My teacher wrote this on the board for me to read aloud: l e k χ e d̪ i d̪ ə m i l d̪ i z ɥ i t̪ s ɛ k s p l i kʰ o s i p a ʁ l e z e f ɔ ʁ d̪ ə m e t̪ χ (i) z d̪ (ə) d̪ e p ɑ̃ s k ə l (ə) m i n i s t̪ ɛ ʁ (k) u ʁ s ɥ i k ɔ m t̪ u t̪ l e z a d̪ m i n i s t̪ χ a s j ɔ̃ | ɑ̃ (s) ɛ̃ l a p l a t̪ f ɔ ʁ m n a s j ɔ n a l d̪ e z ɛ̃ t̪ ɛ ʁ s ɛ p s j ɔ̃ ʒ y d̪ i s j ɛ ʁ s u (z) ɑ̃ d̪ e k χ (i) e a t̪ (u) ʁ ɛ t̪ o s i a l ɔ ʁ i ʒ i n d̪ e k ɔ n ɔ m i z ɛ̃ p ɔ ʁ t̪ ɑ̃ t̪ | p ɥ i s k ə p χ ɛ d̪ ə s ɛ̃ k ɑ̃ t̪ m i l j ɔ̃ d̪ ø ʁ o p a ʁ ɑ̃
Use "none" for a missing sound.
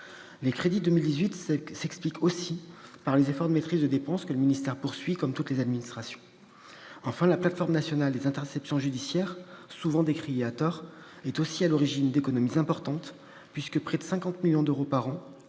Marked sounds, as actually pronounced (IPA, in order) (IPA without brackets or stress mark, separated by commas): i, ə, ə, p, f, v, i, ɔ